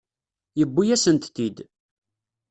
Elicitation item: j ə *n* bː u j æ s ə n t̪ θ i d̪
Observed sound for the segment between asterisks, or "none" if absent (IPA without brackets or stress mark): none